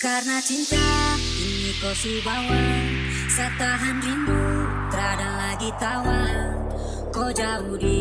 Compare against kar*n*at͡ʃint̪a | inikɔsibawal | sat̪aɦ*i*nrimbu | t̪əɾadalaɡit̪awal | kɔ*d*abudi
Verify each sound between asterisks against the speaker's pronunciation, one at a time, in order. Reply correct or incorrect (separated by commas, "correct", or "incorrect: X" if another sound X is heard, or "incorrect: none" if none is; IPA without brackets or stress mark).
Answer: correct, incorrect: a, incorrect: d͡ʒ